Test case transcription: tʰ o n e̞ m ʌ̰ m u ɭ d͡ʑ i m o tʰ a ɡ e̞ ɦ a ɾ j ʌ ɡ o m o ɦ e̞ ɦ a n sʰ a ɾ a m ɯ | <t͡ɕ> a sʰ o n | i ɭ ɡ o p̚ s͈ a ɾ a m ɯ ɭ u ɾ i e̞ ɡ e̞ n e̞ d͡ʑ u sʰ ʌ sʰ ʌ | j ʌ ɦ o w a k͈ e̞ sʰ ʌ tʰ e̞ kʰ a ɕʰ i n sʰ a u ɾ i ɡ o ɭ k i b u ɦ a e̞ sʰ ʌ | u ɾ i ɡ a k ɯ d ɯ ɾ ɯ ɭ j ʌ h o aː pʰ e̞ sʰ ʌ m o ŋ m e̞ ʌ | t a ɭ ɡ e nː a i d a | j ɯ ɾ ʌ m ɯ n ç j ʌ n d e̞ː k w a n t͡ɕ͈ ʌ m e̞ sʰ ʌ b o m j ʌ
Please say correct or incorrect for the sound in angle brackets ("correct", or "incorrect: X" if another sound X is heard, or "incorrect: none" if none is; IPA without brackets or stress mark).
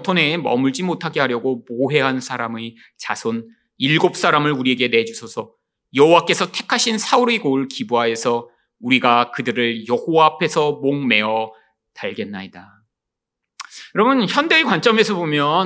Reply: correct